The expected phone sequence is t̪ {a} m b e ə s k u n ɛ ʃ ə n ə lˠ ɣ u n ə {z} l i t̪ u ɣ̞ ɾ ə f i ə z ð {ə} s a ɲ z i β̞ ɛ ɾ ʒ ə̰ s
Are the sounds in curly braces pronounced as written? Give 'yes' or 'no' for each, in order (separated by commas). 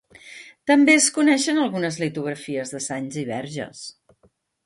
no, yes, yes